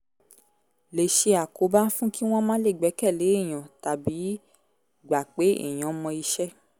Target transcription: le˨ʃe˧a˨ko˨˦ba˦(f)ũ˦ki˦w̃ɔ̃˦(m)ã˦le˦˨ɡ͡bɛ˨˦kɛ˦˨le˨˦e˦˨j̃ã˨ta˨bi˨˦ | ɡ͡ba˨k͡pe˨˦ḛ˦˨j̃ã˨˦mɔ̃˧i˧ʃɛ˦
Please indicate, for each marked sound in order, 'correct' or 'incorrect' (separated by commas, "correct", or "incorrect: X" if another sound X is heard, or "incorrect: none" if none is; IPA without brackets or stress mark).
correct, correct